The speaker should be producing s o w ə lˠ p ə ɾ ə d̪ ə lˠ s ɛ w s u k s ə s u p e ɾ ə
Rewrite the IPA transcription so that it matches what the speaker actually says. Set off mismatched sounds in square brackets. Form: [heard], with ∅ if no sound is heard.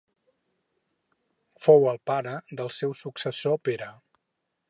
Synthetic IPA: [f] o w ə lˠ p [a] ɾ ə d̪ ə lˠ s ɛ w s u k s ə s [o] p e ɾ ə